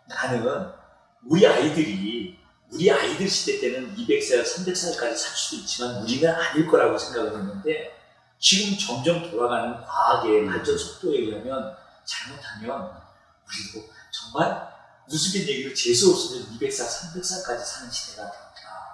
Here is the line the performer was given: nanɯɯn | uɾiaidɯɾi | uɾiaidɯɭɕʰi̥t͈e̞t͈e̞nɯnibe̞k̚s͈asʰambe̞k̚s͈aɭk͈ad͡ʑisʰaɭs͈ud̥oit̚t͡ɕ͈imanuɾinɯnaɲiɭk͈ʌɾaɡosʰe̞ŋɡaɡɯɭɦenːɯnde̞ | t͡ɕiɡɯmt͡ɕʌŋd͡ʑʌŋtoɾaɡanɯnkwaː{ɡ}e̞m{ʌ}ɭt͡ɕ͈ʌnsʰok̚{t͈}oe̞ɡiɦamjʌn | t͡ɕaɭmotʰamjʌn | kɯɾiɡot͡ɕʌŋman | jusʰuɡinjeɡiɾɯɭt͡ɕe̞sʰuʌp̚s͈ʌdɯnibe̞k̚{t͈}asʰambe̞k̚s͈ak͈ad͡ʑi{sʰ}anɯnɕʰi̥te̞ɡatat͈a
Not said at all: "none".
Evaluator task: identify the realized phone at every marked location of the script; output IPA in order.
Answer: ɡ, a, t͈, s͈, sʰ

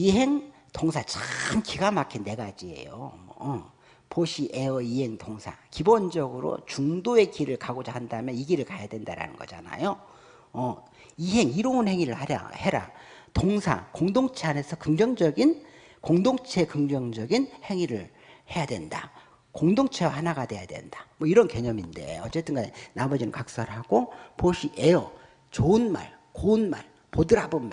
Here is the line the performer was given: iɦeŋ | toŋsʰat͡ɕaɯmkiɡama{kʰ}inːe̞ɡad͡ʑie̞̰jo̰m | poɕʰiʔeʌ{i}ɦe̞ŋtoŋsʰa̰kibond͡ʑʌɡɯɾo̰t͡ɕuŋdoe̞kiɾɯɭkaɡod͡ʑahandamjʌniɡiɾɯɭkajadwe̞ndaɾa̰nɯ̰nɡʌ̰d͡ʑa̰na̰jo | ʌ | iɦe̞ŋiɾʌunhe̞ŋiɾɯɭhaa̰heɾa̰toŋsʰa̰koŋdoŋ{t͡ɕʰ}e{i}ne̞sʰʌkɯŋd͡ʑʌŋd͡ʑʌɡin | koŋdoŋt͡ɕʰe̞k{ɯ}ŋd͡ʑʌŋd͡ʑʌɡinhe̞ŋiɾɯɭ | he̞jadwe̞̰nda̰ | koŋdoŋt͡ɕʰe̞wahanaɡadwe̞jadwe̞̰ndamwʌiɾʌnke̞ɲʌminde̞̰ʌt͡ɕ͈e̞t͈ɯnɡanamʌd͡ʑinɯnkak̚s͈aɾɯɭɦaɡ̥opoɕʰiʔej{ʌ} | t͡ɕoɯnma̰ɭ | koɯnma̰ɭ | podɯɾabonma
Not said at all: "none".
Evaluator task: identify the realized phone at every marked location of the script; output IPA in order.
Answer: kʰ, i, t͡ɕʰ, a, ɯ, ʌ

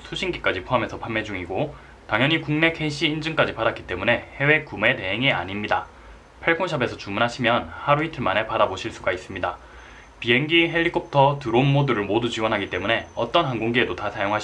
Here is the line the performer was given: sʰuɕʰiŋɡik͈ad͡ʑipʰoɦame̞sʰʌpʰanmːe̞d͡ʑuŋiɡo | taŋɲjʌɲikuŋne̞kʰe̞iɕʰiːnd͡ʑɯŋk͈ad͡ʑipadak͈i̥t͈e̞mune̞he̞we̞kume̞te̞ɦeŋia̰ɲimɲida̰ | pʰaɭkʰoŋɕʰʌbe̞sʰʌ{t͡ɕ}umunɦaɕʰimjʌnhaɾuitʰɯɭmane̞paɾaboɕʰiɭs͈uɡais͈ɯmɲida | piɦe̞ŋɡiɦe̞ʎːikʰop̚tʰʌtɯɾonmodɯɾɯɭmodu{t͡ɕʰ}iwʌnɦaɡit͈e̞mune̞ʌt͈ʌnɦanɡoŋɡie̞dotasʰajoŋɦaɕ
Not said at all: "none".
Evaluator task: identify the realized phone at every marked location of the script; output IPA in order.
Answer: t͡ɕ, t͡ɕ

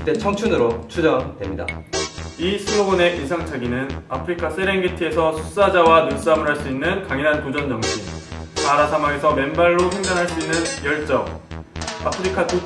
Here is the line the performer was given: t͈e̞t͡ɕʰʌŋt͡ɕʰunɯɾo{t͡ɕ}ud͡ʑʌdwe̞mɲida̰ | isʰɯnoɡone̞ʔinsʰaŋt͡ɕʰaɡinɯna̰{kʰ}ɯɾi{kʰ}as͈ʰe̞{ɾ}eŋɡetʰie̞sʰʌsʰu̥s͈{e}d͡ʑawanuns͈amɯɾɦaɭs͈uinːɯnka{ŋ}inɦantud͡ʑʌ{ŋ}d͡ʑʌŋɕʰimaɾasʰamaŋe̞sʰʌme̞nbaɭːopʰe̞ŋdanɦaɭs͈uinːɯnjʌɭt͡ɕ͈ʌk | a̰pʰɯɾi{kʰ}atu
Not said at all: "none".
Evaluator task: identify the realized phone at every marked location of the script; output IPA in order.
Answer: t͡ɕʰ, pʰ, kʰ, ɾ, a, ŋ, n, kʰ

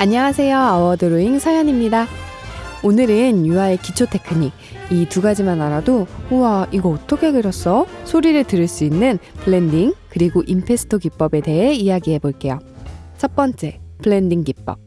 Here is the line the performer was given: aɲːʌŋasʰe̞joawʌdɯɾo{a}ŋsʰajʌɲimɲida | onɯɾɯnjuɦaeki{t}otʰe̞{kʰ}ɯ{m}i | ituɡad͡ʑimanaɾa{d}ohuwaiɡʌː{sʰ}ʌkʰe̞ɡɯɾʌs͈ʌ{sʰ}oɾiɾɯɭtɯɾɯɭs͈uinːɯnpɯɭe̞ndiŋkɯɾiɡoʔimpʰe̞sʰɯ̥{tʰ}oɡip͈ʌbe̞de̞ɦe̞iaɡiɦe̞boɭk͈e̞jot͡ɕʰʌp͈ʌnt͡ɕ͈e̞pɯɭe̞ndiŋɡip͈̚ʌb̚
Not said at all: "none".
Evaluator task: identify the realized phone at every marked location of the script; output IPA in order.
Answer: i, t͡ɕʰ, kʰ, ɲ, d, tʰ, sʰ, tʰ

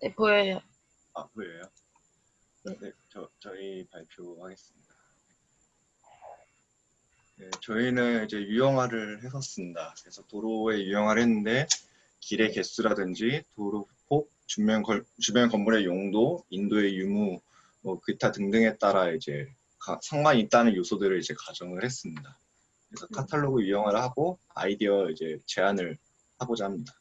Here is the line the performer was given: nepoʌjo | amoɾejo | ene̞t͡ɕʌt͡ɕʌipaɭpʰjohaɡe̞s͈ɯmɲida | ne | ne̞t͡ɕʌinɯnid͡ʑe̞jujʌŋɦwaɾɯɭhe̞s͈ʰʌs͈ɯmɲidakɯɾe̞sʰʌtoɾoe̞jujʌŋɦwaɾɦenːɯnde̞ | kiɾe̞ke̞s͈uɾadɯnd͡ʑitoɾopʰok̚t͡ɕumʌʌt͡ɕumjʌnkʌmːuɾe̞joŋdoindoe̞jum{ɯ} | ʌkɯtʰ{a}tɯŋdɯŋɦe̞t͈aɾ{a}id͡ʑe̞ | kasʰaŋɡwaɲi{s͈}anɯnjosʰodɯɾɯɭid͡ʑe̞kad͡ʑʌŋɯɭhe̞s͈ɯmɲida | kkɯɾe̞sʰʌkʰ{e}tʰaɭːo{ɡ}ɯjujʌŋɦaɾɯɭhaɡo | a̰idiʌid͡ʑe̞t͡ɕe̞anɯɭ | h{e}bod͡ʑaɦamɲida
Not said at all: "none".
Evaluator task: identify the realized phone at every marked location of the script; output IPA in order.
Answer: u, a, a, t͈, a, ɡ, a

